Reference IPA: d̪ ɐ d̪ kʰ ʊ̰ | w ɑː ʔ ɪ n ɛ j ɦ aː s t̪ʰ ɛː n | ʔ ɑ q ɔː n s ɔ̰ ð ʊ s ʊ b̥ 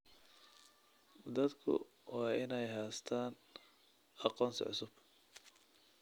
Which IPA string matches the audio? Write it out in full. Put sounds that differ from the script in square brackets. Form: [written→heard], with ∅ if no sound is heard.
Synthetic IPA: d̪ ɐ d̪ kʰ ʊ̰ | w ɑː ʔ ɪ n ɛ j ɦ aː s t̪ʰ [ɛː→aː] n | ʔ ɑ q ɔː n s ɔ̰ [ð→ʕ] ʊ s ʊ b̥